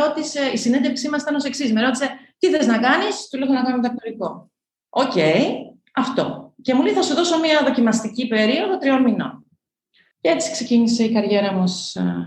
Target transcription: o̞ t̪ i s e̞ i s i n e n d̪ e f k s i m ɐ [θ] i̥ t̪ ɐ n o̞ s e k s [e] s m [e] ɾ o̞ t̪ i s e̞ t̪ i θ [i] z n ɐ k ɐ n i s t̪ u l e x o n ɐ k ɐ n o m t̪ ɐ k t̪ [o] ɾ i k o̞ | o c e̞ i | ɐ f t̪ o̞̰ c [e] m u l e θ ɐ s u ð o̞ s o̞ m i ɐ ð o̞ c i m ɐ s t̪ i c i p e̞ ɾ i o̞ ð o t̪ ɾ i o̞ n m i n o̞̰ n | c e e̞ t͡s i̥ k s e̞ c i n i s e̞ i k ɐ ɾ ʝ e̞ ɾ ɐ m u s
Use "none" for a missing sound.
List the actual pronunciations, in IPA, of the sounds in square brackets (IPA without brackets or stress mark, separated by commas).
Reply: s, i, e, e, o, e